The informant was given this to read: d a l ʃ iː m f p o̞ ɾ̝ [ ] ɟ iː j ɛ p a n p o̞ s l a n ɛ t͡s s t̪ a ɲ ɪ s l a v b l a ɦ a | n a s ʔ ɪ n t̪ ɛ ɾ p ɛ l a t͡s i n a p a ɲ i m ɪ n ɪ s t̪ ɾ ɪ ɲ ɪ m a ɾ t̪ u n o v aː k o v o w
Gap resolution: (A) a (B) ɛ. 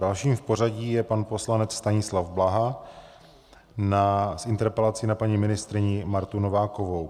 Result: A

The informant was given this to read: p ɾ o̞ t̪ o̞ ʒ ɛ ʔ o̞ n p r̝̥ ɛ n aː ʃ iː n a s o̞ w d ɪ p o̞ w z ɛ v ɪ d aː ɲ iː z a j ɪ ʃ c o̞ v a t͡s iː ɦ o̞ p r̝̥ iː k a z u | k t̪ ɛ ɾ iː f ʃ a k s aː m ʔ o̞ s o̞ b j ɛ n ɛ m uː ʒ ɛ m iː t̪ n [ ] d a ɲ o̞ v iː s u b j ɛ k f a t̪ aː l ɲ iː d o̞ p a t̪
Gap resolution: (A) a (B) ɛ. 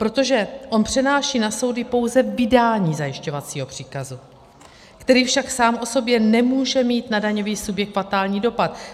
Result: A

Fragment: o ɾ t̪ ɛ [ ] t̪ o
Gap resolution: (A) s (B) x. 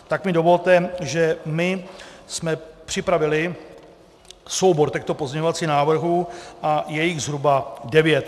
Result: B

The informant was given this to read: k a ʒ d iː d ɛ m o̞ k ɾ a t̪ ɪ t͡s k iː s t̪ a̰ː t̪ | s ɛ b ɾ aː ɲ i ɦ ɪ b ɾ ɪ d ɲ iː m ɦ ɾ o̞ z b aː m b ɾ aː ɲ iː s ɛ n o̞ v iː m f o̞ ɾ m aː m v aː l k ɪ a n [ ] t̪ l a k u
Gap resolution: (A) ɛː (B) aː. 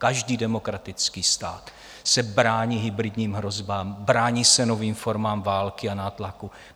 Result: B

